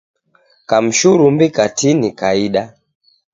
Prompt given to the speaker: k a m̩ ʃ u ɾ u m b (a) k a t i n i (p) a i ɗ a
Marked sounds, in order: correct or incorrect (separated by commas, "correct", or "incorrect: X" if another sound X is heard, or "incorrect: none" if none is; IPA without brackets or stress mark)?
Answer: incorrect: i, incorrect: k